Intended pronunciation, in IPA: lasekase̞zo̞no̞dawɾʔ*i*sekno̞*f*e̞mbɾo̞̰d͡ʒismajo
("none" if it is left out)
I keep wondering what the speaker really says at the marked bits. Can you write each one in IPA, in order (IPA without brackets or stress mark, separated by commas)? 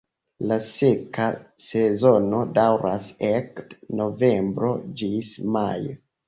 a, v